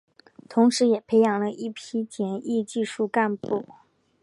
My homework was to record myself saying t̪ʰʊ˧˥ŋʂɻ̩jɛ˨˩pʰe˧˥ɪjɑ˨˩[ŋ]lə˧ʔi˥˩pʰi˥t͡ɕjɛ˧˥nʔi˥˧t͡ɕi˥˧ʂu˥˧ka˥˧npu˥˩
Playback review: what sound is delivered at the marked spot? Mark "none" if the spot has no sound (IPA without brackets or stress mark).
ŋ